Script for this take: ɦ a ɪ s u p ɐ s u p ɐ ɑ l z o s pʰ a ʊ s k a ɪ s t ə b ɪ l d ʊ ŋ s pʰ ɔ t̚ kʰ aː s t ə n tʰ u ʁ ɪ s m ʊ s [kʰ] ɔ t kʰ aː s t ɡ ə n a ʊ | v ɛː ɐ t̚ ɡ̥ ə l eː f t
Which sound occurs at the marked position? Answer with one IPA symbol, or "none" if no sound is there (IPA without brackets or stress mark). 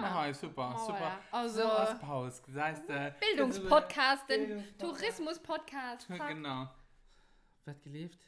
pʰ